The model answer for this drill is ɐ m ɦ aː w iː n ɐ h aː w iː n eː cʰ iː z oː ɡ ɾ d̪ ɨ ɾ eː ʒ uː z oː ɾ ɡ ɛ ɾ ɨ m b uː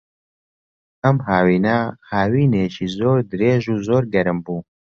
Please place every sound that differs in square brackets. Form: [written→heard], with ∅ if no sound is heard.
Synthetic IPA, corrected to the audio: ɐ m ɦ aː w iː n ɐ h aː w iː n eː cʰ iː z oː [ɡ→∅] ɾ d̪ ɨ ɾ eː ʒ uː z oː ɾ ɡ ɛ ɾ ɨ m b uː